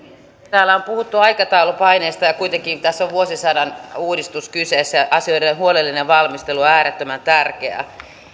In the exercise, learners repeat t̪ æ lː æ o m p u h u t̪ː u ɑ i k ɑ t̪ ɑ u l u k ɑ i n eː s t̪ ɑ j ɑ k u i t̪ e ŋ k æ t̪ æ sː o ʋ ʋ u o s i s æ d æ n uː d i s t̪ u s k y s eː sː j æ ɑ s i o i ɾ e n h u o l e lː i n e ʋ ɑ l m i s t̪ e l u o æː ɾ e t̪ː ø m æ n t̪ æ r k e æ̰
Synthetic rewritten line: t̪ æː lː æ o m p u h u t̪ː u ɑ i k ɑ t̪ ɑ u l u p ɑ i n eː s t̪ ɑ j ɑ k u i t̪ e ŋ k i t̪ æ sː o ʋ ʋ u o s i s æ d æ n uː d i s t̪ u s k y s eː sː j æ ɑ s i o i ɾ e n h u o l e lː i n e ʋ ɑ l m i s t̪ e l u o æː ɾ e t̪ː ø m æ n t̪ æ r k e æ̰